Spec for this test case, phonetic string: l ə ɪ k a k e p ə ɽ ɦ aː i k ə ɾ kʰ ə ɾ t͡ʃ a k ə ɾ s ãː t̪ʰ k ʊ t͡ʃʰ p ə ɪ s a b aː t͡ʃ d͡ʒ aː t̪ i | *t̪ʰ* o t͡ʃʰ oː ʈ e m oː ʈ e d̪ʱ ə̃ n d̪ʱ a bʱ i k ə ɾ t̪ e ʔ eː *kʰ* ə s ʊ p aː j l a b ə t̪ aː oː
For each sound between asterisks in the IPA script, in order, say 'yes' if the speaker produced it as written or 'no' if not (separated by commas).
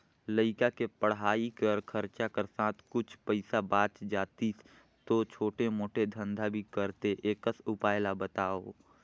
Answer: no, no